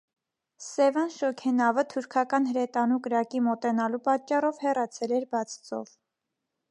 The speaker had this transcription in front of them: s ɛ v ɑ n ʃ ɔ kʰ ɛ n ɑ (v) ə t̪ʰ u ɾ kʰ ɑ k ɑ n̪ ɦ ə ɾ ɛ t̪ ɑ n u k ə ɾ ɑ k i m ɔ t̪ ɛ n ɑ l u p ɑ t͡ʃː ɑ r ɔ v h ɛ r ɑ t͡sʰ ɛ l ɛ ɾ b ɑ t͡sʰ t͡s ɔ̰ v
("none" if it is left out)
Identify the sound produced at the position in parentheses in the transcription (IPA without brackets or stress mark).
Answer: v